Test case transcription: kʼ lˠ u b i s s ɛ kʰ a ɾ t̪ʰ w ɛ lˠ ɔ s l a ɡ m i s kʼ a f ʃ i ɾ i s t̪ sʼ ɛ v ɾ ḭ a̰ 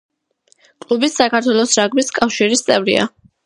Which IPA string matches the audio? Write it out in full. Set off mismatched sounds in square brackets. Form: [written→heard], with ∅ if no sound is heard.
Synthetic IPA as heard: kʼ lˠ u b i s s [ɛ→a] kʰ a ɾ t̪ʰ w ɛ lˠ ɔ s [l→ɾ] a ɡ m i s kʼ a f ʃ i ɾ i s t̪ sʼ ɛ v ɾ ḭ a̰